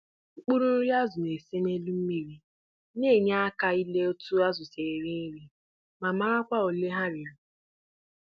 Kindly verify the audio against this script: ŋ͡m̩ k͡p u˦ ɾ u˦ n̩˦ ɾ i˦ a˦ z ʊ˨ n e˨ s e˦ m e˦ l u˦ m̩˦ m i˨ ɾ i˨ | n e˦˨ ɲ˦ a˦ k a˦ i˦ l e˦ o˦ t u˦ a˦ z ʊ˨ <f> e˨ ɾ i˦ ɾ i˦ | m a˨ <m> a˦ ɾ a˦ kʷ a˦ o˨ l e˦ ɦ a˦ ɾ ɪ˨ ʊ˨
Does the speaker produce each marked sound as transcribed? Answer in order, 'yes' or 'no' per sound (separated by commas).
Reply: no, yes